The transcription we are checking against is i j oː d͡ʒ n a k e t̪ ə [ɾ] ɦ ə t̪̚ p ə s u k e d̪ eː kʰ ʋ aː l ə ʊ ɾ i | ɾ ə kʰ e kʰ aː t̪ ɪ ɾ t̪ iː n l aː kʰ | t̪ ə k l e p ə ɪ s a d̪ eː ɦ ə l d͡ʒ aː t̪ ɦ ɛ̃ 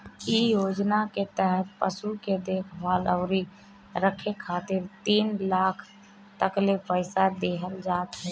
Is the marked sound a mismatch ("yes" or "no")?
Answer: yes